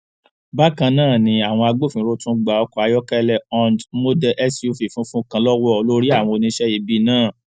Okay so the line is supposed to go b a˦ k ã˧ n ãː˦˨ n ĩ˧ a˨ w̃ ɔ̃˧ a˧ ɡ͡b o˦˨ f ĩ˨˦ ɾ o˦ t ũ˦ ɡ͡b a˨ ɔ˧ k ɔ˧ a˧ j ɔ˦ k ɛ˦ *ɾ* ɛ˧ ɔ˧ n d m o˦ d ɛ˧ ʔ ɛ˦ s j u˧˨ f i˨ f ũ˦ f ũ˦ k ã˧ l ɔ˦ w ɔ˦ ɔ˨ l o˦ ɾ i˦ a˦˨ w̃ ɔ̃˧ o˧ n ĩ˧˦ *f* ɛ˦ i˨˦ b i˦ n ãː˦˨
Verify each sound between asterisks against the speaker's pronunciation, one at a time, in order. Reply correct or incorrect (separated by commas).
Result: incorrect, incorrect